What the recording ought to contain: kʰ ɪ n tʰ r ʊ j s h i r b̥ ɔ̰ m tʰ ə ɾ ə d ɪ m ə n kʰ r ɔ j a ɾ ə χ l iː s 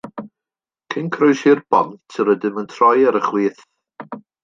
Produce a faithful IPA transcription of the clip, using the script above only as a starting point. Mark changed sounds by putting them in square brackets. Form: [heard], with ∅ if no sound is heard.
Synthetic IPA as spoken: kʰ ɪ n [kʰ] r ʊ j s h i r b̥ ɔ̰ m tʰ ə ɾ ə d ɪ m ə n [tʰ] r ɔ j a ɾ ə χ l iː [θ]